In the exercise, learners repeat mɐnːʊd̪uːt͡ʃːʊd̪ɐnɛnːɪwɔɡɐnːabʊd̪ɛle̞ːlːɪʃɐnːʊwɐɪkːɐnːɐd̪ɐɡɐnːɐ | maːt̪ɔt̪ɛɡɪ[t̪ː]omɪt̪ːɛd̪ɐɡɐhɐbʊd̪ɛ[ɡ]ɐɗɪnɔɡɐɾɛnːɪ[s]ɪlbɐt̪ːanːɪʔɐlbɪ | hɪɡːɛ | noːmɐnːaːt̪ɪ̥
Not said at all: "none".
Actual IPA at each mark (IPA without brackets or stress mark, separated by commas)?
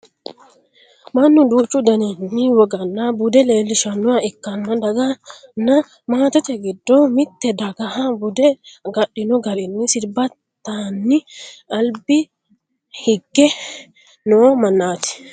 d̪ː, ɡ, s